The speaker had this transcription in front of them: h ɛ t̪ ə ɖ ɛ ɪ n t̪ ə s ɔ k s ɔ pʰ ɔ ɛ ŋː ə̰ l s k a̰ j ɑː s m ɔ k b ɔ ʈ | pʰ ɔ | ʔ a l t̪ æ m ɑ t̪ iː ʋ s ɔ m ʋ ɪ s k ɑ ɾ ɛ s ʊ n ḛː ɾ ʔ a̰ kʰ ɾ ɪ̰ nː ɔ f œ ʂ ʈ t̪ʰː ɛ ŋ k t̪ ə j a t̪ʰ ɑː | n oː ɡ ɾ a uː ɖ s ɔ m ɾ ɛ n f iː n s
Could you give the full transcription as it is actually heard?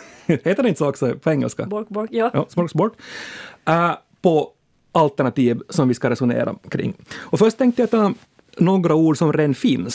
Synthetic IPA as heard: h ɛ t̪ ə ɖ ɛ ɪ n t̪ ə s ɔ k s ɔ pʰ ɔ ɛ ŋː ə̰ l s k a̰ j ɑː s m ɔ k b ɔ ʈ | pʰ ɔ | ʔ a l t̪ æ ɳ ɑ t̪ iː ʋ s ɔ m ʋ ɪ s k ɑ ɾ ɛ s ʊ n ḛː ɾ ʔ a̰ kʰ ɾ ɪ̰ ŋː ɔ f œ ʂ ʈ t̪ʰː ɛ ŋ k t̪ ə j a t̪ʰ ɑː | n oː ɡ ɾ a uː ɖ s ɔ m ɾ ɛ n f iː n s